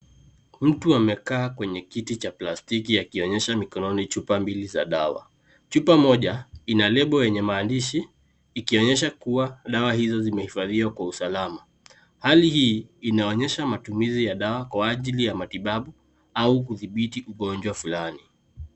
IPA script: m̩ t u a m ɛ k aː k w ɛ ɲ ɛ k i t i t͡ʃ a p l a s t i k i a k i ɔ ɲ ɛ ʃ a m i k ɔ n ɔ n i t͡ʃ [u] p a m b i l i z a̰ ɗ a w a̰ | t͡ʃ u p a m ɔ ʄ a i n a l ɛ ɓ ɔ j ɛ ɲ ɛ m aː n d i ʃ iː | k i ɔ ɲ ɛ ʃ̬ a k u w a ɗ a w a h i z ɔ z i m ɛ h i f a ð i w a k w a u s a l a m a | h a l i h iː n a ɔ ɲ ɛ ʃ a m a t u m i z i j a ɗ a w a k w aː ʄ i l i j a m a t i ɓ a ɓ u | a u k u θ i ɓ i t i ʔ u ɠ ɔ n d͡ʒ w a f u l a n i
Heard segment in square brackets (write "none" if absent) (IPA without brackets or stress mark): u